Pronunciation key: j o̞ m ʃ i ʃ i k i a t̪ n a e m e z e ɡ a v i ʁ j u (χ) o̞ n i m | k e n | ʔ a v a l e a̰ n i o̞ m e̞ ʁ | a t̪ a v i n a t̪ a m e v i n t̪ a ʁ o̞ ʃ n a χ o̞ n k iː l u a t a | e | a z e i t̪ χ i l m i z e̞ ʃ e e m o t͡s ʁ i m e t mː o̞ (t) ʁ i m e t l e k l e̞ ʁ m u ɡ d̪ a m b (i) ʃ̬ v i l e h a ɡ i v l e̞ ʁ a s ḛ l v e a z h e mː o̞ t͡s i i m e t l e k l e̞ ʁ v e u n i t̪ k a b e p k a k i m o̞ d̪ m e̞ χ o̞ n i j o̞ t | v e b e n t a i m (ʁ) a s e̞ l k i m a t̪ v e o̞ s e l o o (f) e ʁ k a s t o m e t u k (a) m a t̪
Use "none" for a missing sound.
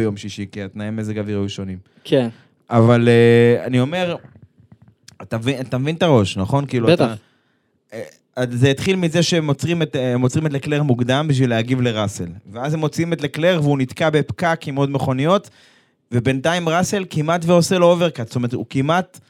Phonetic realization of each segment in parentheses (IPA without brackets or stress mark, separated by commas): ʃ, t͡s, i, ʁ, v, i